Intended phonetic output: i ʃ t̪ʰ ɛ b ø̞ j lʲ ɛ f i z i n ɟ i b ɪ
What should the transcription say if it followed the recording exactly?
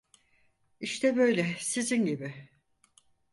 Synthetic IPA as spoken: i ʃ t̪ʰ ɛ b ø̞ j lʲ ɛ s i z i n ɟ i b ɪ